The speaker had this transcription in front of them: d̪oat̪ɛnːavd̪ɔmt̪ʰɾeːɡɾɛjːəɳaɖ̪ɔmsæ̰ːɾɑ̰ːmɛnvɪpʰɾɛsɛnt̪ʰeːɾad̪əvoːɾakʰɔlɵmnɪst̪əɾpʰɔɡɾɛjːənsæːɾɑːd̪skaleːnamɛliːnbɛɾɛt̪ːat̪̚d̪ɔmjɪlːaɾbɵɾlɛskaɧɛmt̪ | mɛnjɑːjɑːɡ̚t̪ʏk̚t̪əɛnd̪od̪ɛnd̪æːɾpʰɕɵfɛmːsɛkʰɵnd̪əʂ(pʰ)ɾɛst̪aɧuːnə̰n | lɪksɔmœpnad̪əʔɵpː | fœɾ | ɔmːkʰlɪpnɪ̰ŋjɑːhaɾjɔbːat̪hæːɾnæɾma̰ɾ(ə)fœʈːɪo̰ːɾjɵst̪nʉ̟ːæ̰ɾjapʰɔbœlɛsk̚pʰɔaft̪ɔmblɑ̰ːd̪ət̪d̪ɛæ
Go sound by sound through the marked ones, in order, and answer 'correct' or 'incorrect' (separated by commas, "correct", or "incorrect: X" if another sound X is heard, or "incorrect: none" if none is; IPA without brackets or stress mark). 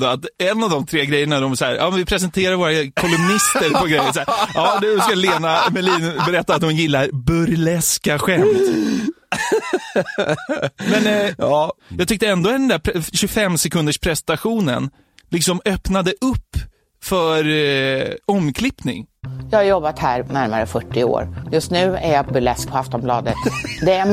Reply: correct, correct